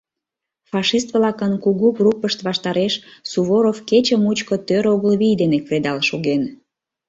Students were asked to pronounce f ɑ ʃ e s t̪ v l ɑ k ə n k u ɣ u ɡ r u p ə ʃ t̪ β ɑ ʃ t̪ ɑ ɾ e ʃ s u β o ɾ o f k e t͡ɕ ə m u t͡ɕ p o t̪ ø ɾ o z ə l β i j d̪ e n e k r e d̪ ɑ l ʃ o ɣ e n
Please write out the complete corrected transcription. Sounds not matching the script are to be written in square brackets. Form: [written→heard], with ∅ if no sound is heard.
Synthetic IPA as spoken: f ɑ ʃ [e→i] s t̪ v l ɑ k ə n k u ɣ u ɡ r u p ə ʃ t̪ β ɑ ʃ t̪ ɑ ɾ e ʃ s u β o ɾ o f k e t͡ɕ ə m u t͡ɕ [p→k] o t̪ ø ɾ o [z→ɣ] ə l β i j d̪ e n e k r e d̪ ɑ l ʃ o ɣ e n